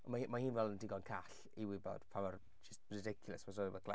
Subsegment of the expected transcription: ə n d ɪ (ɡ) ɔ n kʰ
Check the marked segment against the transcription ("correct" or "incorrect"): correct